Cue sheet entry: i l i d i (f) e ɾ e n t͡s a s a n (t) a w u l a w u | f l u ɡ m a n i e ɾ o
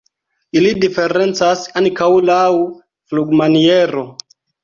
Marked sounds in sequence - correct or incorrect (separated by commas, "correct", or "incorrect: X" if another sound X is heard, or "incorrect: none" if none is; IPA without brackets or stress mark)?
correct, incorrect: k